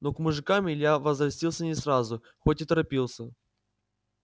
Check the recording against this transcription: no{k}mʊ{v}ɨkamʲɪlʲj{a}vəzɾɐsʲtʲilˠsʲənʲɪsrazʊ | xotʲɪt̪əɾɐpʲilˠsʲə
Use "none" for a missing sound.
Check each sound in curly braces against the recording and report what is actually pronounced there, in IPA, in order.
k, ʐ, a

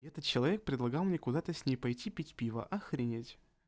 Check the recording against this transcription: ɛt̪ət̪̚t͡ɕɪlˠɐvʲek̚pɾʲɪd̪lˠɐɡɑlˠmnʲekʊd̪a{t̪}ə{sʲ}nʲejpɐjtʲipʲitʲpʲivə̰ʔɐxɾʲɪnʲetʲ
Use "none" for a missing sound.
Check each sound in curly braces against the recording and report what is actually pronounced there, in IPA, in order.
t̪, sʲ

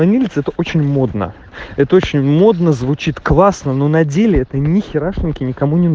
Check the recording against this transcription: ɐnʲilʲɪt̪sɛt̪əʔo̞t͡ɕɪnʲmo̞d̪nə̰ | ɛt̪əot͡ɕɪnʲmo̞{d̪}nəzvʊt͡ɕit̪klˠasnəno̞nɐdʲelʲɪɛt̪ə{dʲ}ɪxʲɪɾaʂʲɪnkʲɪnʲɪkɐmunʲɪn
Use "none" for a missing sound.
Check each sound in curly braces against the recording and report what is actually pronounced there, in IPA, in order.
d̪, nʲ

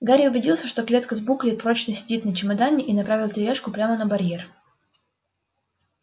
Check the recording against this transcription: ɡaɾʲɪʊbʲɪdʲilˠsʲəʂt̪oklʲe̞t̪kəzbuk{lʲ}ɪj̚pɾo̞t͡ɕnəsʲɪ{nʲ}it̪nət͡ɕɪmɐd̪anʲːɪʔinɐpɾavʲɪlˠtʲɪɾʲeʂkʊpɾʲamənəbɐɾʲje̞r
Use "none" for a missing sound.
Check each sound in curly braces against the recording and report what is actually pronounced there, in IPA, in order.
lʲ, dʲ

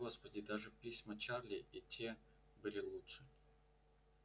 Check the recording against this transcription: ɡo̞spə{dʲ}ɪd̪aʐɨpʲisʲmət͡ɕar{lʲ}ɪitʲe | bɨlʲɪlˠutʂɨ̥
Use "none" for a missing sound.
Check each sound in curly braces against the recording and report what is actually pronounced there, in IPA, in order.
dʲ, lʲ

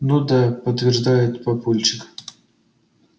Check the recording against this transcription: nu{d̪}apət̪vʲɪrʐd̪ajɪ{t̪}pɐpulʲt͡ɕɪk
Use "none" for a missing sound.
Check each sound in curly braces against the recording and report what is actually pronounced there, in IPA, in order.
d̪, t̪

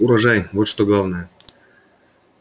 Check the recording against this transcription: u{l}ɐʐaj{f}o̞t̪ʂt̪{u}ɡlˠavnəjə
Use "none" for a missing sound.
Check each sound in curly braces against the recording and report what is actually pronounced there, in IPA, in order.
ɾ, v, o

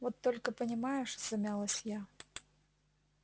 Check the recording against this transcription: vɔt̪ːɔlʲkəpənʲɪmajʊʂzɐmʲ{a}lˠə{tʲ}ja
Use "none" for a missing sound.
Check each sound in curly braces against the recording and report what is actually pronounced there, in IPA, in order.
a, sʲ

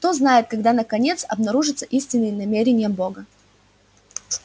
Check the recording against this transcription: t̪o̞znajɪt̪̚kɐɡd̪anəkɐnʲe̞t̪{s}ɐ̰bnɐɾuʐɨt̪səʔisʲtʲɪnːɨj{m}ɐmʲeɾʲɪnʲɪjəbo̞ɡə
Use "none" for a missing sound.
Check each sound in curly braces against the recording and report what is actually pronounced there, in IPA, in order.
s, n

